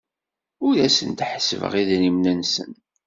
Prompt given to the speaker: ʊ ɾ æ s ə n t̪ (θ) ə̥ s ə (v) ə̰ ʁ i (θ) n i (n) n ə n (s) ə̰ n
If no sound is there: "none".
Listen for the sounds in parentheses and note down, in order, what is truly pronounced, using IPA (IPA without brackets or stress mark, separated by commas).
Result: ħ, v, ð, m, s